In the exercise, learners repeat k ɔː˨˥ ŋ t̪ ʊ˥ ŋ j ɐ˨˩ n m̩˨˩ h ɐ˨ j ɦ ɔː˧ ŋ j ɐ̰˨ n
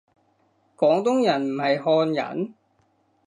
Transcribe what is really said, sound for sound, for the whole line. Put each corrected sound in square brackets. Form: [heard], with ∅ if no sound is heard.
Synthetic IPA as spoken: k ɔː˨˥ ŋ t̪ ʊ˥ ŋ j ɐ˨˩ n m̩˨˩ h ɐ˨ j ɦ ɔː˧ [n] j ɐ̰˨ n